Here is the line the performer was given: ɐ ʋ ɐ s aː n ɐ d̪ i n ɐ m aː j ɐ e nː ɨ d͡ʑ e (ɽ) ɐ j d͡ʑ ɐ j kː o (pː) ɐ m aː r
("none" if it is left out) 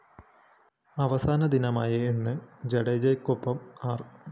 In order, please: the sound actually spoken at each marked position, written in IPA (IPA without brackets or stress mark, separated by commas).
ɽ, pː